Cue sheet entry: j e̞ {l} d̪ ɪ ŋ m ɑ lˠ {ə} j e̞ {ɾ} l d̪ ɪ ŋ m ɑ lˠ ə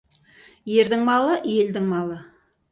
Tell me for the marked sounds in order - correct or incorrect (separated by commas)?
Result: incorrect, correct, incorrect